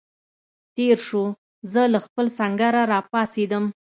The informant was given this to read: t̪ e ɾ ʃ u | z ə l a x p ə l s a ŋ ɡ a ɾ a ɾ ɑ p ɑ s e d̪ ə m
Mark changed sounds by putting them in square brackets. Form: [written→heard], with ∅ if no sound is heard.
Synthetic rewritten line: t̪ e ɾ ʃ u | z ə l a x p ə l s a ŋ ɡ a ɾ a ɾ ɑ p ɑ s e d̪ ə m